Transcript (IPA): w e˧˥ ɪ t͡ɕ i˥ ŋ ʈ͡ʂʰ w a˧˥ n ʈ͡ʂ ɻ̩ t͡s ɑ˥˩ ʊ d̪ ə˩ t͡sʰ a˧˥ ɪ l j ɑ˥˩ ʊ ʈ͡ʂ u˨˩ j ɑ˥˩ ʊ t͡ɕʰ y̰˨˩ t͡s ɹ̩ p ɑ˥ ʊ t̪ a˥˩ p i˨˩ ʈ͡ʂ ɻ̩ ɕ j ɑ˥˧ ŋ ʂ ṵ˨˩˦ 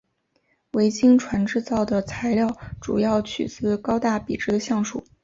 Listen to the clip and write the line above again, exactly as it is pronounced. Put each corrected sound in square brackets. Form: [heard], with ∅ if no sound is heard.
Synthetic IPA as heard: w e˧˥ ɪ t͡ɕ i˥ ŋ ʈ͡ʂʰ w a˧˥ n ʈ͡ʂ ɻ̩ t͡s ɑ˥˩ ʊ d̪ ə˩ t͡sʰ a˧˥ ɪ l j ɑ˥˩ ʊ ʈ͡ʂ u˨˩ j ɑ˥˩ ʊ t͡ɕʰ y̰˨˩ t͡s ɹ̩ [k] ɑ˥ ʊ t̪ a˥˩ p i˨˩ ʈ͡ʂ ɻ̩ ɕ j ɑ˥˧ ŋ ʂ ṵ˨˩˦